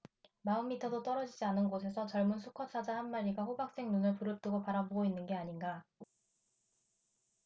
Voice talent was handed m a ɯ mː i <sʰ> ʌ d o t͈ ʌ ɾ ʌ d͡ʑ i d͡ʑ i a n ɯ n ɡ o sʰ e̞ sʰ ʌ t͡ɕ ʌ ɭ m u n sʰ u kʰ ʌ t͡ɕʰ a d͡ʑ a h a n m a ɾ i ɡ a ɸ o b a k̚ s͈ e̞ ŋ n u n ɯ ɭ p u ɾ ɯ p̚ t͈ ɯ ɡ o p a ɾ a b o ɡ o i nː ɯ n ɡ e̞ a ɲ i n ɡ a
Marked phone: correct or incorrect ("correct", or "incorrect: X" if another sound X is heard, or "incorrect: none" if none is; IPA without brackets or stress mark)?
incorrect: tʰ